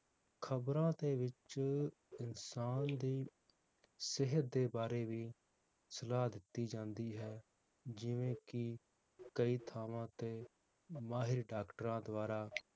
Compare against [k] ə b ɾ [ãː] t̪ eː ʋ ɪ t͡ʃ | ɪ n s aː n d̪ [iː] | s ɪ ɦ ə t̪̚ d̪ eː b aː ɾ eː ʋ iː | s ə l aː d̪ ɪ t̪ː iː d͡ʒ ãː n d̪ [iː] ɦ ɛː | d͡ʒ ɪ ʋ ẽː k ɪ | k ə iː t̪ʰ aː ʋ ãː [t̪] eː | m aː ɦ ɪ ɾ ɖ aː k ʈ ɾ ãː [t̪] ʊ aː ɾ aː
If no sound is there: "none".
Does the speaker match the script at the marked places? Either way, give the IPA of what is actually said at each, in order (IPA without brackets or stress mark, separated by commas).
kʰ, ãː, iː, iː, t̪, d̪